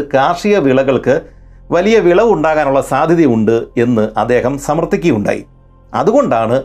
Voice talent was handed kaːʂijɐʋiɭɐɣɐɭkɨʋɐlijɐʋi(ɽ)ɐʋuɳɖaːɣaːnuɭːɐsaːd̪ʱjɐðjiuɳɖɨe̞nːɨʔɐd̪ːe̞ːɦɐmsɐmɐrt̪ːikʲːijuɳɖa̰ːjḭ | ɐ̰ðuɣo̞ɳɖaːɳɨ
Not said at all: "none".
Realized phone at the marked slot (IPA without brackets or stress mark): ɭ